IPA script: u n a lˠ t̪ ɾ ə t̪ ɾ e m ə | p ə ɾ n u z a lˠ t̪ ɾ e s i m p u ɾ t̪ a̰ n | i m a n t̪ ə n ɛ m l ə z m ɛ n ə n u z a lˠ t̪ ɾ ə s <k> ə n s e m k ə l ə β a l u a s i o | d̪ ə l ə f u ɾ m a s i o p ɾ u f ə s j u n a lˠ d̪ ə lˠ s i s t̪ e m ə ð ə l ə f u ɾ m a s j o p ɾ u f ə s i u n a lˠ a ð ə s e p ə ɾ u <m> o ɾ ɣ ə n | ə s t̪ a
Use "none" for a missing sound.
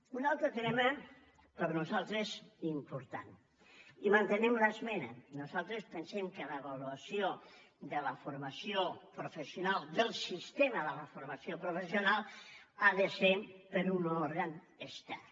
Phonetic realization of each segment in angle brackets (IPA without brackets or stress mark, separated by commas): p, n